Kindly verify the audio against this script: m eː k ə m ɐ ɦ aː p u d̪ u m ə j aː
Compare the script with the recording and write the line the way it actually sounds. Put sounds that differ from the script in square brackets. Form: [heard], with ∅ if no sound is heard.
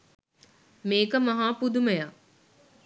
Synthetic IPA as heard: m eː k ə m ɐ ɦ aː p u d̪ u m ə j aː